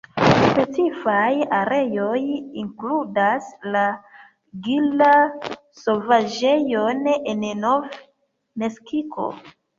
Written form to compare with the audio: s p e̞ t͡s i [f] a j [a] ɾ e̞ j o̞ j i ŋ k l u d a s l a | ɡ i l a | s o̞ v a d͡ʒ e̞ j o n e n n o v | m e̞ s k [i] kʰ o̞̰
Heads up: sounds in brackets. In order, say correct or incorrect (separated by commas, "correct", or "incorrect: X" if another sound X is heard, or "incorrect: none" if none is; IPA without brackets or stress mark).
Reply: correct, correct, correct